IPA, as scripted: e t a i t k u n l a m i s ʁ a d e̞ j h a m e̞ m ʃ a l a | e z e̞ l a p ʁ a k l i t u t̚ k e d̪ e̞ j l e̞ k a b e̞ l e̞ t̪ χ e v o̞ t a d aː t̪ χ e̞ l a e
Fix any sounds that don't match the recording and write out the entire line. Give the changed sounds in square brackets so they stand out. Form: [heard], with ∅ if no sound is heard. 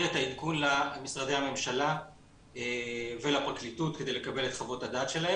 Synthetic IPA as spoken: e t a i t k u n l a m i s ʁ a d e̞ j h a m e̞ m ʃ a l a | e [v] e̞ l a p ʁ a k l i t u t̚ k e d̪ e̞ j l e̞ k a b e̞ l e̞ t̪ χ [a] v o̞ t a d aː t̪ [ʃ] e̞ l a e